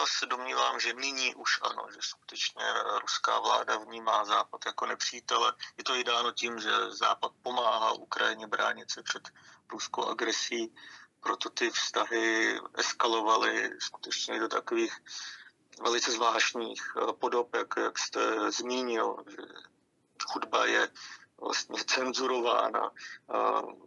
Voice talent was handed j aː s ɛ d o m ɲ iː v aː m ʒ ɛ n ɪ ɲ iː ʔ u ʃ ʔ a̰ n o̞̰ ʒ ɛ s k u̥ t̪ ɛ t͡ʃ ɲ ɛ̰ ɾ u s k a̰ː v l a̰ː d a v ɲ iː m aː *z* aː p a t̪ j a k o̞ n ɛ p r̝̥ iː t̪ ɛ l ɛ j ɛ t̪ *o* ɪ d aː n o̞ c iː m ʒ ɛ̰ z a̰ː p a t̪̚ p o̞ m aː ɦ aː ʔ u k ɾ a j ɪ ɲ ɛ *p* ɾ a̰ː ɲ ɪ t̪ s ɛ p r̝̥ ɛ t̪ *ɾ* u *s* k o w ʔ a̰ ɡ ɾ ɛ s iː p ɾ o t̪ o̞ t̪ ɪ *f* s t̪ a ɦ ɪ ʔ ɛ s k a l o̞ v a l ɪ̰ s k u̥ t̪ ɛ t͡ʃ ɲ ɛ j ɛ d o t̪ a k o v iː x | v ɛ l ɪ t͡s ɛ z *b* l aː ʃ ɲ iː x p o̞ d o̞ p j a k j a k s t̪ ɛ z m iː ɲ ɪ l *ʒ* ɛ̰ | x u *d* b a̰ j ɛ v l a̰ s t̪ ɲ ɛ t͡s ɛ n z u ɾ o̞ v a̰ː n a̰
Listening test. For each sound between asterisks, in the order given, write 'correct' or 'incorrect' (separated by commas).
correct, correct, incorrect, correct, correct, correct, incorrect, correct, correct